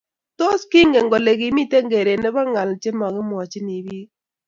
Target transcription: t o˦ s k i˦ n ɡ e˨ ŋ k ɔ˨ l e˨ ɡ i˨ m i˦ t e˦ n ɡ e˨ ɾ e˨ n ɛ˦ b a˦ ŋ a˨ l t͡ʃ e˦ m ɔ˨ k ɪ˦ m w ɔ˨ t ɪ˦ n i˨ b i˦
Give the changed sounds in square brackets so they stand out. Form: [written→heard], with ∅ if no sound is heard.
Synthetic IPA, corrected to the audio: t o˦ s k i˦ [n→ŋ] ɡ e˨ ŋ [k→ɡ] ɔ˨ l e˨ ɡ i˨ m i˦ t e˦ [n→ŋ] ɡ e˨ ɾ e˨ n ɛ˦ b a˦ ŋ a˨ l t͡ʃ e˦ m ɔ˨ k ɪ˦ m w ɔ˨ [t→t͡ʃ] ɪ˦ n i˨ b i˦